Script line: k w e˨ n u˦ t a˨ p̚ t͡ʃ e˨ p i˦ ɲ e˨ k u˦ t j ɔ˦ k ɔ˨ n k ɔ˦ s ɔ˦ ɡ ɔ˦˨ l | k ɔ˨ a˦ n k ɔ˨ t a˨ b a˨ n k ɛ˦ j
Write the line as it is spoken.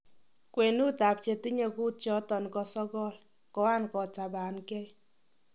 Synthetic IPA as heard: k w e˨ n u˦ t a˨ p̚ t͡ʃ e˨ t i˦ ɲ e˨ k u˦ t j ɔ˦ t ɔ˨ n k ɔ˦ s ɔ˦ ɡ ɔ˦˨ l | k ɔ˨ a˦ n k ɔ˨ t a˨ b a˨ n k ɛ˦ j